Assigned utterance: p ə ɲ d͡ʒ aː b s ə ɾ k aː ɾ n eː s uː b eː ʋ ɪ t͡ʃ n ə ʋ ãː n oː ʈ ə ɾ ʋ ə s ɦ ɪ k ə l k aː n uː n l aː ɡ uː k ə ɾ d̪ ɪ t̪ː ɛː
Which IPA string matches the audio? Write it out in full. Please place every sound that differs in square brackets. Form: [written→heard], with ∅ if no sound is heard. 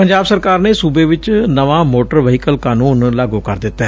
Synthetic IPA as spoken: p ə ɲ d͡ʒ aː b s ə ɾ k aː ɾ n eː s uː b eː ʋ ɪ t͡ʃ n ə ʋ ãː [n→m] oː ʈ ə ɾ ʋ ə [s→∅] ɦ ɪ k ə l k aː n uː n l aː ɡ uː k ə ɾ d̪ ɪ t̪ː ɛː